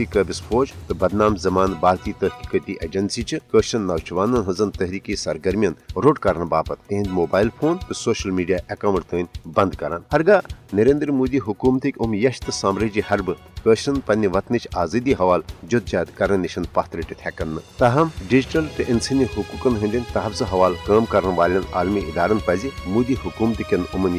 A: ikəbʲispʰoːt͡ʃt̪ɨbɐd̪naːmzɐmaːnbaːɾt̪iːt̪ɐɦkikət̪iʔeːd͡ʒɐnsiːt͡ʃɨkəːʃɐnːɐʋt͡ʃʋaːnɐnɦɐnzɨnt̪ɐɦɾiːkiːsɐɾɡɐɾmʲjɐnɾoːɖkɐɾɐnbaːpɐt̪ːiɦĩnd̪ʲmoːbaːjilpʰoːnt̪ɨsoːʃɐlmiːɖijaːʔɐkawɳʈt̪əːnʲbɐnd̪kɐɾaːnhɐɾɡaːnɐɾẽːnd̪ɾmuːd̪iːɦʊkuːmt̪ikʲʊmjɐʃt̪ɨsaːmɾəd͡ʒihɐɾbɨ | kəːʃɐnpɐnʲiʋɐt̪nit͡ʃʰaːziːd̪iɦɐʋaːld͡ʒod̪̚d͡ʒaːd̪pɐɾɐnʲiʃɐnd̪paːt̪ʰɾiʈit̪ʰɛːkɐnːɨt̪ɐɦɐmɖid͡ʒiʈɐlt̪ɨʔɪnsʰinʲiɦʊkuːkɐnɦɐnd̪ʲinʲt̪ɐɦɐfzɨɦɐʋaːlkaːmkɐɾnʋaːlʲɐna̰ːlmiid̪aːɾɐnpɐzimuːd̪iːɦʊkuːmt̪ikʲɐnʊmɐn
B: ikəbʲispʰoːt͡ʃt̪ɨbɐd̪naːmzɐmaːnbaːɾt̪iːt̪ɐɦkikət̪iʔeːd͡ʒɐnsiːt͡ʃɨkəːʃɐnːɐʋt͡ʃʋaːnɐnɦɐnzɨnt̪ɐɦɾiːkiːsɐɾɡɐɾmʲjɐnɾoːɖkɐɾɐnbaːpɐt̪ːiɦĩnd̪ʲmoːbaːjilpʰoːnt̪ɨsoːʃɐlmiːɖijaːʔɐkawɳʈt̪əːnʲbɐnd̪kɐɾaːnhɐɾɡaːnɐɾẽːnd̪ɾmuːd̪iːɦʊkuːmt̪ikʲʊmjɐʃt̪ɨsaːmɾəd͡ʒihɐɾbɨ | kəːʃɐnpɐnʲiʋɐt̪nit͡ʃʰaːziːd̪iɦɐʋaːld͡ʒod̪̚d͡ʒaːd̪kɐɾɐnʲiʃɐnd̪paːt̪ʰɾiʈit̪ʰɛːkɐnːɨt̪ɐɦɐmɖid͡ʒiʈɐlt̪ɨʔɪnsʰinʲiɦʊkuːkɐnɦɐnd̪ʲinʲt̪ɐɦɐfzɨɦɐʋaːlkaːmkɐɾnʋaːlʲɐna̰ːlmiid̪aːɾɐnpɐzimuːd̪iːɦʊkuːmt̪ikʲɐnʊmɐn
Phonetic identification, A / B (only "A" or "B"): B